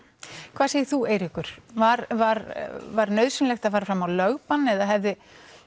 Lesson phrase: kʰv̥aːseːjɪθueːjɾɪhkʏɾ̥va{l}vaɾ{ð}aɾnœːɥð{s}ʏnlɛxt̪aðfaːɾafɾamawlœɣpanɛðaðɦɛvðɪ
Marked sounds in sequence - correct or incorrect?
incorrect: ɾ, incorrect: v, correct

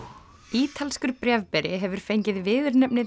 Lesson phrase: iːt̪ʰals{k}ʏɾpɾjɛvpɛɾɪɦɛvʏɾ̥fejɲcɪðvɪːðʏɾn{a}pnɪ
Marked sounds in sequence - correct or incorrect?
correct, incorrect: ɛ

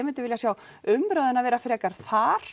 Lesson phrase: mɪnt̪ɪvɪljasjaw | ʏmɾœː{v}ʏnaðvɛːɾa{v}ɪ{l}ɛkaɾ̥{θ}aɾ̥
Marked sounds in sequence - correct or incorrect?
incorrect: ð, incorrect: f, incorrect: ɾ, correct

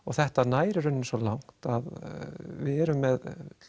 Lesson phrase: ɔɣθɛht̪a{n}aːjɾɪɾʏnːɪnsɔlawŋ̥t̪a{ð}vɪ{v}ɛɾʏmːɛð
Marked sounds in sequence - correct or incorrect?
correct, correct, incorrect: ð

